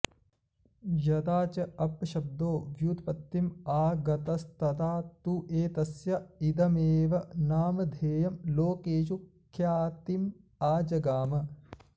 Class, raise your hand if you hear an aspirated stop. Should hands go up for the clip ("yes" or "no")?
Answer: yes